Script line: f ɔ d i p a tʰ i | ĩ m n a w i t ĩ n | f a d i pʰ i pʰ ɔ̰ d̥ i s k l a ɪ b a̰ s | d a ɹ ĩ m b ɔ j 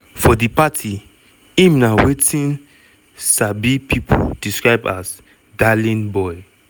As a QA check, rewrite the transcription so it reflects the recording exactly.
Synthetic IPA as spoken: f ɔ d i p a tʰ i | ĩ m n a w e t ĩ n | s a b i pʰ i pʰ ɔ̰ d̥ i s k ɹ a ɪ b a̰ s | d a l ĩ n b ɔ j